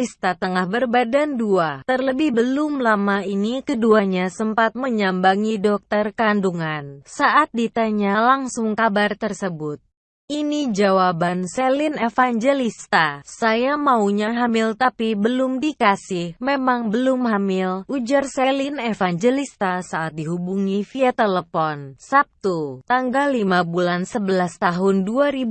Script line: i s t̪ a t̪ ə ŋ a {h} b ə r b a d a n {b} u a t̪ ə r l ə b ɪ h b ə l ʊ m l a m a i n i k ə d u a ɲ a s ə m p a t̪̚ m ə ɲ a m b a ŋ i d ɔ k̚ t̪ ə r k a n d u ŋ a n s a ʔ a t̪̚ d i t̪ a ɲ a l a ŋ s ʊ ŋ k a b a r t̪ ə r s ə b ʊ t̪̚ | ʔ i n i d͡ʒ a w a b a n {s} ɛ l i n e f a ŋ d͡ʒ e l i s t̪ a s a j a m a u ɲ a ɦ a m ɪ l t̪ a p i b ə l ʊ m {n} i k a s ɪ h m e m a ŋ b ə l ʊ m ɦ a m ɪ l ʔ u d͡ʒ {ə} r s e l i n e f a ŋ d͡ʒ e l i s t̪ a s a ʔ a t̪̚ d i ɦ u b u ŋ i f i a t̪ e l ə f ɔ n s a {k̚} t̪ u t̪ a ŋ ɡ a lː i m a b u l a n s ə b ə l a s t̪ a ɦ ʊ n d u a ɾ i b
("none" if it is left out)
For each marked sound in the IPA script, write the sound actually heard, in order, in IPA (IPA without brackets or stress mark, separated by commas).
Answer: h, d, s, d, a, p̚